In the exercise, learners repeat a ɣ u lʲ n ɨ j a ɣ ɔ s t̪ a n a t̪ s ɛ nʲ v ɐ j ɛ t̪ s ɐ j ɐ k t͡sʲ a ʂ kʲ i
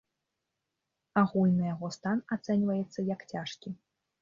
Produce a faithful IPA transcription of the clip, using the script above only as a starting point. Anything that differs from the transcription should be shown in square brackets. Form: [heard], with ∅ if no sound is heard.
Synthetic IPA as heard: a ɣ u lʲ n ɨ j a ɣ ɔ s t̪ a n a t̪ s ɛ nʲ v ɐ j ɛ t̪ [sː] ɐ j ɐ k t͡sʲ a ʂ kʲ i

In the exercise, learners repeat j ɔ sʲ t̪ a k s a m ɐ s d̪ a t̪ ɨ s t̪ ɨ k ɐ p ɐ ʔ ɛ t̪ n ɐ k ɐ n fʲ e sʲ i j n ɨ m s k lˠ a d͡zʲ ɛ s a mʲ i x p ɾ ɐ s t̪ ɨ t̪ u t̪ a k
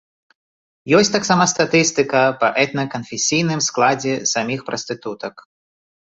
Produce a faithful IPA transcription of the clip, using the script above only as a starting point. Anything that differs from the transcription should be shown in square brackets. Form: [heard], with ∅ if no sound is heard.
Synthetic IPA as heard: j ɔ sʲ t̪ a k s a m ɐ s [t̪] a t̪ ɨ s t̪ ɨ k ɐ p ɐ ʔ ɛ t̪ n ɐ k ɐ n fʲ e sʲ i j n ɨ m s k lˠ a d͡zʲ ɛ s a mʲ i x p ɾ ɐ s t̪ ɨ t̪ u t̪ [ɐ] k

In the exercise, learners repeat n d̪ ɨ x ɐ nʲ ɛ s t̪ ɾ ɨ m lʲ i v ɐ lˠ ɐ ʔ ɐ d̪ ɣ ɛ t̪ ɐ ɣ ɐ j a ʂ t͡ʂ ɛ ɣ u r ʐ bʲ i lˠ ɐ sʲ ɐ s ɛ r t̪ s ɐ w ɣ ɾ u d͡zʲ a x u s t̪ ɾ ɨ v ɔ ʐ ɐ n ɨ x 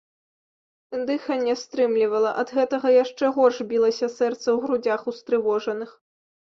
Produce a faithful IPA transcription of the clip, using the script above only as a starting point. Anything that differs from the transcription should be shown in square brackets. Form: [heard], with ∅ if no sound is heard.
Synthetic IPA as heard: n d̪ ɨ x ɐ nʲ ɛ s t̪ ɾ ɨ m lʲ i v ɐ lˠ ɐ ʔ ɐ d̪ ɣ ɛ t̪ ɐ ɣ ɐ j a ʂ t͡ʂ ɛ ɣ [ɔ] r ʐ bʲ i lˠ ɐ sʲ ɐ s ɛ r t̪ s ɐ w ɣ ɾ u d͡zʲ a x u s t̪ ɾ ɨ v ɔ ʐ ɐ n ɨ x

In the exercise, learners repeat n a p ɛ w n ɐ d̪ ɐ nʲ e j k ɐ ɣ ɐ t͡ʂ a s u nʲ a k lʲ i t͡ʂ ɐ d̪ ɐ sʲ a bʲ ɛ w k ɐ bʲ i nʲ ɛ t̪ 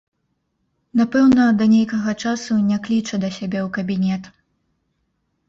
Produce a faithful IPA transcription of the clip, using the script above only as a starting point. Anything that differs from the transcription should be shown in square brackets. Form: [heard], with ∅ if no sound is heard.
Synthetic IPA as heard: n a p ɛ w n ɐ d̪ ɐ nʲ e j k ɐ ɣ ɐ t͡ʂ a s u nʲ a k lʲ i t͡ʂ ɐ d̪ ɐ sʲ a bʲ ɛ w k ɐ bʲ i nʲ ɛ t̪

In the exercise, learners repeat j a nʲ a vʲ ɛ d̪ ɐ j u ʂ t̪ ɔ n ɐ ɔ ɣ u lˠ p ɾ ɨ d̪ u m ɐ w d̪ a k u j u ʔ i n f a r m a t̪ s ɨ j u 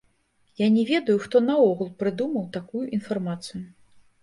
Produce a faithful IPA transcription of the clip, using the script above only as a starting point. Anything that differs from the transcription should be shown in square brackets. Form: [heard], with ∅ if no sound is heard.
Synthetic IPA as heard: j a nʲ [ɛ] vʲ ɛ d̪ ɐ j u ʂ t̪ ɔ n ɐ ɔ ɣ u lˠ p ɾ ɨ d̪ u m ɐ w [t̪] a k u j u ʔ i n f a r m a t̪ s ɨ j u

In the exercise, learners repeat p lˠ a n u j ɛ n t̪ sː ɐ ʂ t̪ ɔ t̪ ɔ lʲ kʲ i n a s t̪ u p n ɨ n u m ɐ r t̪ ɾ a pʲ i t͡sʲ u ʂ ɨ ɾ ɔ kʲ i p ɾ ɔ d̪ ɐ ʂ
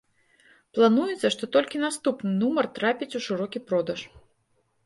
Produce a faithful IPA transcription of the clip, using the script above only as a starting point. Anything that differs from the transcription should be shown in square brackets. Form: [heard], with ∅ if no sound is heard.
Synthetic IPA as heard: p lˠ a n u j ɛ [∅] t̪ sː ɐ ʂ t̪ ɔ t̪ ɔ lʲ kʲ i n a s t̪ u p n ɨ n u m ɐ r t̪ ɾ a pʲ i t͡sʲ u ʂ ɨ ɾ ɔ kʲ i p ɾ ɔ d̪ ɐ ʂ

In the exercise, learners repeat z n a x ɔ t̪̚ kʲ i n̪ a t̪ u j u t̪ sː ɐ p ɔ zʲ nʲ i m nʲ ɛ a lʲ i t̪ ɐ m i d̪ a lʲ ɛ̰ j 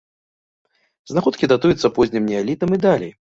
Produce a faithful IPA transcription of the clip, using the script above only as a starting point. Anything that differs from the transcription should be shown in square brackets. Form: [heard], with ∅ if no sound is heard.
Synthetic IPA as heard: z n a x ɔ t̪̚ kʲ i [d̪] a t̪ u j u t̪ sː ɐ p ɔ zʲ nʲ i m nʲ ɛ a lʲ i t̪ ɐ m i d̪ a lʲ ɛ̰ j

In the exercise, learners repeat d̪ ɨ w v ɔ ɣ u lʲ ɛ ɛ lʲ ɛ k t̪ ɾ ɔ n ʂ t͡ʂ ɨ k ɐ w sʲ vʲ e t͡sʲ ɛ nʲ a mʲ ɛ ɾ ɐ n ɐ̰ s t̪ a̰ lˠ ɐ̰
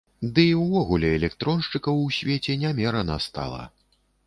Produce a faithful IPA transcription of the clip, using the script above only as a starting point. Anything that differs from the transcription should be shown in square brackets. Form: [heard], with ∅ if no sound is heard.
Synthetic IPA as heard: d̪ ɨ w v ɔ ɣ u lʲ ɛ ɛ lʲ ɛ k t̪ ɾ ɔ n ʂ t͡ʂ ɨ k ɐ w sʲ vʲ e t͡sʲ ɛ nʲ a mʲ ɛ ɾ ɐ n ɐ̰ s t̪ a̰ lˠ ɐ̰

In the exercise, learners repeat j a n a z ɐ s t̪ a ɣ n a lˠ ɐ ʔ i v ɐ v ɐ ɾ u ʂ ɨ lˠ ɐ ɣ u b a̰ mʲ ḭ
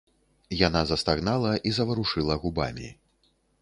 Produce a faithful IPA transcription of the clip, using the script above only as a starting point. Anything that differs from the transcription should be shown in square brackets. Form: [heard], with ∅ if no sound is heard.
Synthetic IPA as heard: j a n a z ɐ s t̪ a ɣ n a lˠ ɐ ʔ i [z] ɐ v ɐ ɾ u ʂ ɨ lˠ ɐ ɣ u b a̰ mʲ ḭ

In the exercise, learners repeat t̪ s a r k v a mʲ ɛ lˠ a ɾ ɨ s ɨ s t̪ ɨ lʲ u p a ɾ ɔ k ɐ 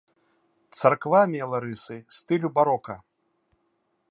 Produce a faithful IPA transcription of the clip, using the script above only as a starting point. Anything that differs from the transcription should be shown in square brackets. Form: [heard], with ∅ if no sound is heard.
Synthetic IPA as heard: t̪ s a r k v a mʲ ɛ lˠ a ɾ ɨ s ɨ s t̪ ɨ lʲ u [b] a ɾ ɔ k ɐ

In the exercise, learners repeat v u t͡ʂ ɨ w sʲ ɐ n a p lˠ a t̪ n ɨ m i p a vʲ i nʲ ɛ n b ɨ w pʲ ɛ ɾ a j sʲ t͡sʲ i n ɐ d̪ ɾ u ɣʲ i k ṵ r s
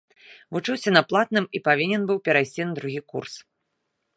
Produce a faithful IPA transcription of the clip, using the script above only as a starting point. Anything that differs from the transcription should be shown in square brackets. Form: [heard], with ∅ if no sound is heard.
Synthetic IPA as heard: v u t͡ʂ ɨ w sʲ ɐ n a p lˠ a t̪ n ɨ m i p a vʲ i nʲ ɛ n b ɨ w pʲ ɛ ɾ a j sʲ t͡sʲ i n ɐ d̪ ɾ u ɣʲ i k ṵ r s

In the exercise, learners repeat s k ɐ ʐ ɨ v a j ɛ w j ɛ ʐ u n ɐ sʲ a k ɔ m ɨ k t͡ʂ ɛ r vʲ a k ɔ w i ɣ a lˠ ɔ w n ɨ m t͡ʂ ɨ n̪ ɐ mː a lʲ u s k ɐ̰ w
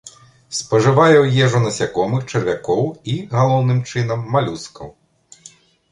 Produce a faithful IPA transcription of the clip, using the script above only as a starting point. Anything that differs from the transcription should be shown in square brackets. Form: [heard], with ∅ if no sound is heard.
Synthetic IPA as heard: s [p] ɐ ʐ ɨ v a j ɛ w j ɛ ʐ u n ɐ sʲ a k ɔ m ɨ [x] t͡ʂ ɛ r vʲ a k ɔ w i ɣ a lˠ ɔ w n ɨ m t͡ʂ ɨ n̪ ɐ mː a lʲ u s k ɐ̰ w

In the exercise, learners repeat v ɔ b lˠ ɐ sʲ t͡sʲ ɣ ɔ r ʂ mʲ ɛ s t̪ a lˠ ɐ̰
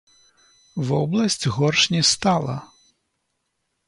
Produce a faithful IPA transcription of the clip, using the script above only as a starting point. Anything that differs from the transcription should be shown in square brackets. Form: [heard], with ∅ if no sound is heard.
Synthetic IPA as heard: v ɔ b lˠ ɐ sʲ t͡sʲ ɣ ɔ r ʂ [nʲ] ɛ s t̪ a lˠ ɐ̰

